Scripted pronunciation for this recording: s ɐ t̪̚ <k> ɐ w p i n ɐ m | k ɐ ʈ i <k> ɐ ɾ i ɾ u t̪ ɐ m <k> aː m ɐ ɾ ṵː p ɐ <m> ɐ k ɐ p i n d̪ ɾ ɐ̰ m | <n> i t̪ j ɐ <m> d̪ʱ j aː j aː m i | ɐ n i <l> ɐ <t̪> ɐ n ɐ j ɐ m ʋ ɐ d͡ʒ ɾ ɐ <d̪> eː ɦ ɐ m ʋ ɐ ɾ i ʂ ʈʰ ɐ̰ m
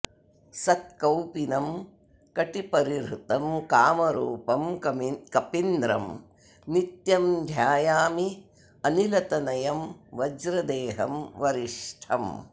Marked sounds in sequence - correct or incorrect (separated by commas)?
correct, incorrect, correct, correct, correct, correct, correct, correct, correct